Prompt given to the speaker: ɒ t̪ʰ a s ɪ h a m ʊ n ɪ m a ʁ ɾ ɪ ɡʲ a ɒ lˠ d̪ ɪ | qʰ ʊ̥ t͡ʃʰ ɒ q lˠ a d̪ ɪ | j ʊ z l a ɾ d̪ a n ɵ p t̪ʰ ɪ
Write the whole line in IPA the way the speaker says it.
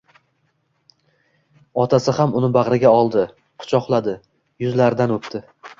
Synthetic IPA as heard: ɒ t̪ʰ a s ɪ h a m ʊ n ɪ b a ʁ ɾ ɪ ɡʲ a ɒ lˠ d̪ ɪ | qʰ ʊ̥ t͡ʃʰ ɒ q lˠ a d̪ ɪ | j ʊ z l a ɾ d̪ a n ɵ p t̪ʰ ɪ